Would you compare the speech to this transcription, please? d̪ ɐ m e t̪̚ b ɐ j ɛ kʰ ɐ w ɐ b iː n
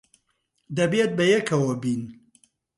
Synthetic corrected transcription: d̪ ɐ b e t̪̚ b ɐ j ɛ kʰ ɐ w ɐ b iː n